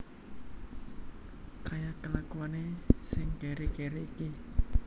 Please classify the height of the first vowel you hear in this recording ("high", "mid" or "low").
low